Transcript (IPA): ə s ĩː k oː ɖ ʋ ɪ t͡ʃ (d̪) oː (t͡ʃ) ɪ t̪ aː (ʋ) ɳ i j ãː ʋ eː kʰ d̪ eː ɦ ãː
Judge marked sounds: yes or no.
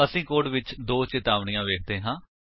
yes, yes, yes

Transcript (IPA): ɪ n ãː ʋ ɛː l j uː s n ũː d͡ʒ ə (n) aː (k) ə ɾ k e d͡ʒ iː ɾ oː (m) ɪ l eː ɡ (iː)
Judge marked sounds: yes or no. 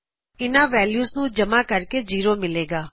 no, yes, yes, no

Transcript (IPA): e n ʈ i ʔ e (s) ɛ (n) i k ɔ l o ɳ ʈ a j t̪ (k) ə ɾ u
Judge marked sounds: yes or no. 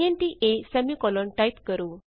yes, no, yes

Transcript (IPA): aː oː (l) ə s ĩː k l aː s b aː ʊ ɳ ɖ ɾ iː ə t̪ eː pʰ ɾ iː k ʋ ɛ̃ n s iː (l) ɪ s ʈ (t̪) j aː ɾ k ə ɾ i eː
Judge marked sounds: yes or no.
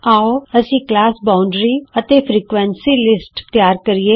no, yes, yes

